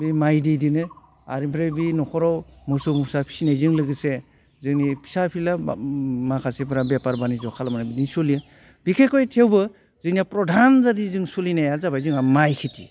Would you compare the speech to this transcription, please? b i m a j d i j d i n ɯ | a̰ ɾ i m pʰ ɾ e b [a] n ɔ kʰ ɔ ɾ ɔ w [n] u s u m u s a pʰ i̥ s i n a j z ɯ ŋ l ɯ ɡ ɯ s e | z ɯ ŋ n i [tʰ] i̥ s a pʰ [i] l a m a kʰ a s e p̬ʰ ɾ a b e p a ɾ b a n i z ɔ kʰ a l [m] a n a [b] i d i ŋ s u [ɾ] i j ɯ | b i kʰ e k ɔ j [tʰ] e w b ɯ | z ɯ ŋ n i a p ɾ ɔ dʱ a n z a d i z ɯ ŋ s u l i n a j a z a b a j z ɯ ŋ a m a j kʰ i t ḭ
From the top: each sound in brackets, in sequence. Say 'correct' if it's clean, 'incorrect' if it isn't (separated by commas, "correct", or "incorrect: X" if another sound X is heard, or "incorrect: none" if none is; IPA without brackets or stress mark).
incorrect: i, incorrect: m, incorrect: pʰ, correct, correct, correct, incorrect: l, correct